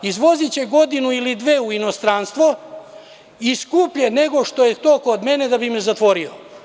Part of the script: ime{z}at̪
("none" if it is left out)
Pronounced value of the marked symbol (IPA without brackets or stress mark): z